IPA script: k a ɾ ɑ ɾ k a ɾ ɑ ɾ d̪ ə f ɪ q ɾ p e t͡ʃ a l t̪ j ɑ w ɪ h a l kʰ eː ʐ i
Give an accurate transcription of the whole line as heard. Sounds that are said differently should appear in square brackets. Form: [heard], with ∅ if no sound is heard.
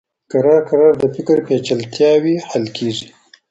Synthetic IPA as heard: k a ɾ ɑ ɾ k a ɾ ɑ ɾ d̪ ə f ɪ [k] ɾ p e t͡ʃ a l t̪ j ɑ w [i] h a l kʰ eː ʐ i